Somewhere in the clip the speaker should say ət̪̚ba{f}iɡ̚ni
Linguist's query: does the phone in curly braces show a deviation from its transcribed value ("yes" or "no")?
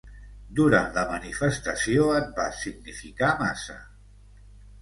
yes